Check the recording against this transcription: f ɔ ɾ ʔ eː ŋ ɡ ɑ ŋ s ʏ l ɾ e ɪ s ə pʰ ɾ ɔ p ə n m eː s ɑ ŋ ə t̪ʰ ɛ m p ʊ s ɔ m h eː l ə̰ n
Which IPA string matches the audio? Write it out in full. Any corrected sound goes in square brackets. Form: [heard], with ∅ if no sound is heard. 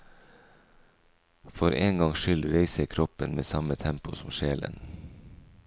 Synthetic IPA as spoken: f ɔ ɾ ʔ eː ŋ ɡ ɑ ŋ [ʃ] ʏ l ɾ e ɪ s ə [kʰ] ɾ ɔ p ə n m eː s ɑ [m] ə t̪ʰ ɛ m p ʊ s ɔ m [ʃ] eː l ə̰ n